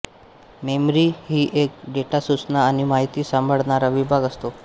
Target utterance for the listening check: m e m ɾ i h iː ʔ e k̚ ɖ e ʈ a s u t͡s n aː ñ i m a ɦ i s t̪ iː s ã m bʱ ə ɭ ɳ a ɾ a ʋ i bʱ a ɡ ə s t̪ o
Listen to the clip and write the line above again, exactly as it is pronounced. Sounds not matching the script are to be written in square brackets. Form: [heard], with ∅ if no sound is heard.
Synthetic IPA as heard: m e m ɾ i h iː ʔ e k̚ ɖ e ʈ a s u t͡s n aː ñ i m a ɦ i [∅] t̪ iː s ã m bʱ ə ɭ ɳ a ɾ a ʋ i bʱ a ɡ ə s t̪ o